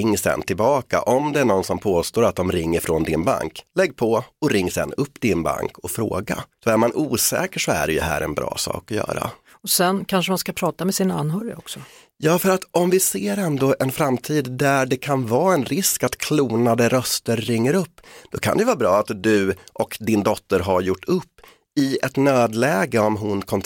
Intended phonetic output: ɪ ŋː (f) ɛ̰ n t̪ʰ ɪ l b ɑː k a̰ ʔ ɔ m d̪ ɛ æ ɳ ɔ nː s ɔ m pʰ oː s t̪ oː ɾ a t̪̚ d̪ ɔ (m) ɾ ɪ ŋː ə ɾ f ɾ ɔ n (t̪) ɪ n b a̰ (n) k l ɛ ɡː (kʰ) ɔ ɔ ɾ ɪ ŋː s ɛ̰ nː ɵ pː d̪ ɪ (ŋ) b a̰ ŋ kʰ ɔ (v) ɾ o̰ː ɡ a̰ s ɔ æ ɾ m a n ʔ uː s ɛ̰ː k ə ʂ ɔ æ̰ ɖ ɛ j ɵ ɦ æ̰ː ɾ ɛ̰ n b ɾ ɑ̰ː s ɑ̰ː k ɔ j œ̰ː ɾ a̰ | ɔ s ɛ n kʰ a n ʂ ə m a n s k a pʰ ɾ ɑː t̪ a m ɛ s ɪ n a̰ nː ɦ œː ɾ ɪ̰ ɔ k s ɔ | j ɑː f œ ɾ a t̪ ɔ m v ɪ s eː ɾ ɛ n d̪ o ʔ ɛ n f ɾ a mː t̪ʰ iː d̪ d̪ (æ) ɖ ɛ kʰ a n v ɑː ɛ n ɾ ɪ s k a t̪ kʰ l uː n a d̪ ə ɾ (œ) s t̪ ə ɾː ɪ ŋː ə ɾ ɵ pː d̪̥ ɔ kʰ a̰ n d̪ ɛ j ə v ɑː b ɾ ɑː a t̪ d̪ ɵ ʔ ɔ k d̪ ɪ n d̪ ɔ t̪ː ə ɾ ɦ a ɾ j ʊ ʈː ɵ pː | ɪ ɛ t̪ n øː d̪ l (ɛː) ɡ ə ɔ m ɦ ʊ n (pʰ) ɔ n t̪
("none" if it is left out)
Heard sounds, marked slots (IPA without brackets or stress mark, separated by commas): s, m, d̪, ŋ, pʰ, n, f, æ, œ, ɛː, kʰ